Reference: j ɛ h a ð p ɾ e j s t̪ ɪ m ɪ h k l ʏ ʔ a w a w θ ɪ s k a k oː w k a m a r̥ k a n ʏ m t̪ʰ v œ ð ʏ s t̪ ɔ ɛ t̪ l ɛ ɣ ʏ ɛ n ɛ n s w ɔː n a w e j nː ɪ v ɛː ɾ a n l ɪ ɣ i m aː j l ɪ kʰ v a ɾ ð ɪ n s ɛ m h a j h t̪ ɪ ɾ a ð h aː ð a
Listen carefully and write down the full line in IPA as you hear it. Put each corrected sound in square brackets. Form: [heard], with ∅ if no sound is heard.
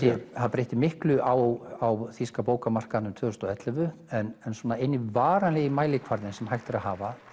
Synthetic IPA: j ɛ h a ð p ɾ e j [h] t̪ ɪ m ɪ h k l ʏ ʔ a w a w θ [i] s k a [p] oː w k a m a r̥ k a n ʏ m t̪ʰ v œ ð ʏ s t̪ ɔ ɛ t̪ l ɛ [v] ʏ ɛ n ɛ n s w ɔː n a [∅] e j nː ɪ v [aː] ɾ a n l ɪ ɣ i m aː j l ɪ kʰ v a ɾ ð ɪ n s ɛ m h a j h t̪ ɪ ɾ a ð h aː [v] a